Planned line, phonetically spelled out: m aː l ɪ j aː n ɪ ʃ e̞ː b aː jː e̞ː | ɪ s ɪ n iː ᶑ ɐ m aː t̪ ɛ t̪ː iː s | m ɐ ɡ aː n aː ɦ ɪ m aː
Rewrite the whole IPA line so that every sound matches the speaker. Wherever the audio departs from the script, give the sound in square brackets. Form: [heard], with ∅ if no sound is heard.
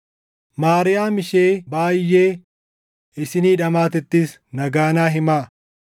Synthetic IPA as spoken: m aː [ɾ] ɪ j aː [m] ɪ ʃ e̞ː b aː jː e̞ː | ɪ s ɪ n iː ᶑ ɐ m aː t̪ ɛ t̪ː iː s | [n] ɐ ɡ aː n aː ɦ ɪ m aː